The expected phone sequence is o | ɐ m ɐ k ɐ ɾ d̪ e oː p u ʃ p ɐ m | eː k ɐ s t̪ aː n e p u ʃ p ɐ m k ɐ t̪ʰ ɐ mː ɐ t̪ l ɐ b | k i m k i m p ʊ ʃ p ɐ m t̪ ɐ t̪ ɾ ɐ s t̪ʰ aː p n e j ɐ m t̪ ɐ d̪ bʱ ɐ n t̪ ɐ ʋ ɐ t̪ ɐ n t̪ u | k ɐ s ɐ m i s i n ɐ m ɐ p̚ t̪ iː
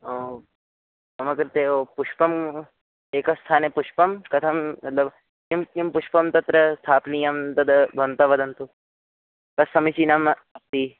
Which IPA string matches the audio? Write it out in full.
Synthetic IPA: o | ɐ m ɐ k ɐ ɾ t̪ e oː p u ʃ p ɐ m | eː k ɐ s t̪ʰ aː n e p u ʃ p ɐ m k ɐ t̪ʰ ɐ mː ɐ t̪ l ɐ b | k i m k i m p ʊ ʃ p ɐ m t̪ ɐ t̪ ɾ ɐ s t̪ʰ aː p n i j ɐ m t̪ ɐ d̪ bʱ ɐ n t̪ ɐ ʋ ɐ d̪ ɐ n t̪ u | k ɐ s ɐ m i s i n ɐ m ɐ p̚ t̪ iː